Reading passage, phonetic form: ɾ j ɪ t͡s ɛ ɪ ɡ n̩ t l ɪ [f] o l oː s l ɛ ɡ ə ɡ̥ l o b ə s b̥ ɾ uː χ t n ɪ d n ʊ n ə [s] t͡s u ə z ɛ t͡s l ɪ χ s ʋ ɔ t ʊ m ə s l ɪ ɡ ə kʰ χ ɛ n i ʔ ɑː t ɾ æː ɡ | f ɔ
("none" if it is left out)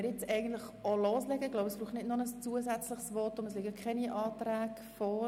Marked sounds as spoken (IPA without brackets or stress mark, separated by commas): χ, s